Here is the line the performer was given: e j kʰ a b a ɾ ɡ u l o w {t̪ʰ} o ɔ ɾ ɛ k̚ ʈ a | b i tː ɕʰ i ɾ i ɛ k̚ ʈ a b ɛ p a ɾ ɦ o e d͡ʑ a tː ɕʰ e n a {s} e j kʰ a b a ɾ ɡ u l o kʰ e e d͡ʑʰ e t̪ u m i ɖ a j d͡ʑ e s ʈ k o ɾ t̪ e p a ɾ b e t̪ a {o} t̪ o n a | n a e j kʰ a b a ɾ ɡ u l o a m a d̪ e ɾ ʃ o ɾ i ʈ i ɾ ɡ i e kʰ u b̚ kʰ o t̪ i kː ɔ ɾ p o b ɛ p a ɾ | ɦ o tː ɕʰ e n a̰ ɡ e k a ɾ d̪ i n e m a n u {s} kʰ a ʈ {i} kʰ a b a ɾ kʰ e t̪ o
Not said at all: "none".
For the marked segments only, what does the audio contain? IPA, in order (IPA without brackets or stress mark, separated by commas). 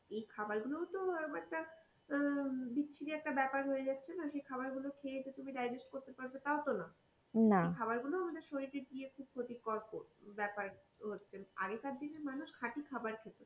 t̪, ʃ, o, ʃ, i